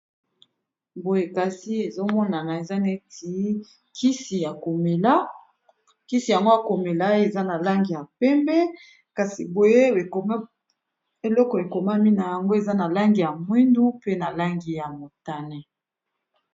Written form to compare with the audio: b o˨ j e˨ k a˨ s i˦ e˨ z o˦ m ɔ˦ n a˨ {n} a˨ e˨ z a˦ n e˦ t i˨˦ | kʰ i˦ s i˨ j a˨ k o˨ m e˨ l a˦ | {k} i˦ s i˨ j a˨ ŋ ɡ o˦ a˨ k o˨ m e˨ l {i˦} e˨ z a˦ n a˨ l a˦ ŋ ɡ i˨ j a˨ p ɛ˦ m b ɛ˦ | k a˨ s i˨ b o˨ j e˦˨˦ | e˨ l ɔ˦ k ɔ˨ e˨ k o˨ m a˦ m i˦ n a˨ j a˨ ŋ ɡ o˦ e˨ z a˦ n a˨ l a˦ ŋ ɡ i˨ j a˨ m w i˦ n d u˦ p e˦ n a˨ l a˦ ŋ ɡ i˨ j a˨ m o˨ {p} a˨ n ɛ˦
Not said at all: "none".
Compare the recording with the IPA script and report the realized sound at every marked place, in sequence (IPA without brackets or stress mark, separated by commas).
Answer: n, k, a˦, t